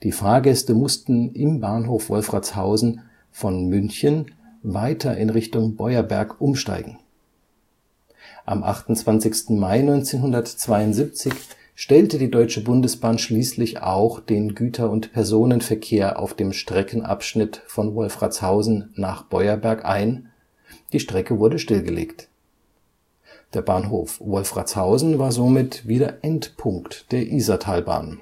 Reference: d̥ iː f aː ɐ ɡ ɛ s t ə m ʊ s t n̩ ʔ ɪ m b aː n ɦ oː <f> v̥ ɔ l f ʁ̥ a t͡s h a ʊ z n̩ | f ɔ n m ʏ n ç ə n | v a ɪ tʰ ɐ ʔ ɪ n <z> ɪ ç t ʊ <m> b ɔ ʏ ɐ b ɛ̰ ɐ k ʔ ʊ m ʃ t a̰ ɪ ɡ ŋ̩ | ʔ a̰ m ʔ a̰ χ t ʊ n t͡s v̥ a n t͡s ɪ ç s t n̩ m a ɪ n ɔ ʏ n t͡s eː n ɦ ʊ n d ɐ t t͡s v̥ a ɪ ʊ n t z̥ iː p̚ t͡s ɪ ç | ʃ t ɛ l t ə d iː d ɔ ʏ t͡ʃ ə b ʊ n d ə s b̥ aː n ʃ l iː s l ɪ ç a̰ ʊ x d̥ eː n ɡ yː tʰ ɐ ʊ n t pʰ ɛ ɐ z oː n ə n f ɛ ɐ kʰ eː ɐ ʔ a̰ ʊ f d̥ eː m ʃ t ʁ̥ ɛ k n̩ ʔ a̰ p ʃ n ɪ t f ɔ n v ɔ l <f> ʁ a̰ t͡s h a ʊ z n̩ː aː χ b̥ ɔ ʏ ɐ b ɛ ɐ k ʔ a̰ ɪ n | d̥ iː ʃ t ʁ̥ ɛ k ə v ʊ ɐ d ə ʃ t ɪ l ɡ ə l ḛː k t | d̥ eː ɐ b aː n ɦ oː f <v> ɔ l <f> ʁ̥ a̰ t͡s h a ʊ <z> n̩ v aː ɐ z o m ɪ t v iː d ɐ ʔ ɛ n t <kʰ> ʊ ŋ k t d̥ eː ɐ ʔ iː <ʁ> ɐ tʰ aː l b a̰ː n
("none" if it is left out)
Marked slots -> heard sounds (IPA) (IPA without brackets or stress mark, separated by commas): f, ʁ, ŋ, f, v, f, z, pʰ, z